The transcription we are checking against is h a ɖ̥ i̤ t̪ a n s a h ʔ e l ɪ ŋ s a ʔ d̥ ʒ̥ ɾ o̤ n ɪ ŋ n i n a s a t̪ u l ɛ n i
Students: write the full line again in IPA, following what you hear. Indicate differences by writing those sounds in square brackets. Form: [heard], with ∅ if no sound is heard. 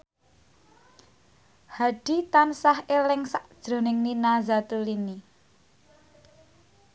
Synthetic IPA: h a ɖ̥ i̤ t̪ a n s a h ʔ e l ɪ ŋ s a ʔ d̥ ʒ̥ ɾ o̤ n ɪ ŋ n i n a [z] a t̪ u l [i] n i